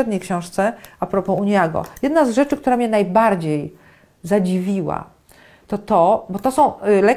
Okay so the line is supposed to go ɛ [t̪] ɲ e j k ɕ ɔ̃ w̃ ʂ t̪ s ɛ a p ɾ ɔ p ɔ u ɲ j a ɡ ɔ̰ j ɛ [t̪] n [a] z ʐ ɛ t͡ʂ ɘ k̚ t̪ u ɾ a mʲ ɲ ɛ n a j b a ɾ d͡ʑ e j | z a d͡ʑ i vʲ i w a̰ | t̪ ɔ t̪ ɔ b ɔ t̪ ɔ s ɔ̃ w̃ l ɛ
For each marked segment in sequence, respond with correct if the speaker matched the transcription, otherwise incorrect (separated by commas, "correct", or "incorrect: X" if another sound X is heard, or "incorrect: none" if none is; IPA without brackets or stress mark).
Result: incorrect: d̪, incorrect: d̪, correct